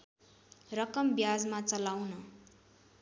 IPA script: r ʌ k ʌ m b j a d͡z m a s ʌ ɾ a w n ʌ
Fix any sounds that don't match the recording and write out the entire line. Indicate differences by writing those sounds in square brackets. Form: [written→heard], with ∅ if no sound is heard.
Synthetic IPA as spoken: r ʌ k ʌ m b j a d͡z m a [s→t͡s] ʌ [ɾ→l] a w n ʌ